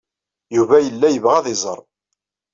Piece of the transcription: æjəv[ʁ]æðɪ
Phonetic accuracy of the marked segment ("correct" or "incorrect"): correct